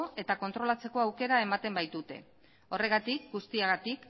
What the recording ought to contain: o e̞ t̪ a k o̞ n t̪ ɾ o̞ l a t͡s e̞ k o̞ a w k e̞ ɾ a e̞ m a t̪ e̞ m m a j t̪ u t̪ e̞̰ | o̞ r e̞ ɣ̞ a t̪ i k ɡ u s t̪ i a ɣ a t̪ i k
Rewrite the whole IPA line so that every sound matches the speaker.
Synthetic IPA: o e̞ t̪ a k o̞ n t̪ ɾ o̞ l a t͡s e̞ k o̞ a w k e̞ ɾ a e̞ m a t̪ e̞ m b a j t̪ u t̪ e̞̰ | o̞ r e̞ ɣ̞ a t̪ i k ɡ u s t̪ i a ɣ a t̪ i k